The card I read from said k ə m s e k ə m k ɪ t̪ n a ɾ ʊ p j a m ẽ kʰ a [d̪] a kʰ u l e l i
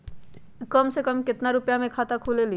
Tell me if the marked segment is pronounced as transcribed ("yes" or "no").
no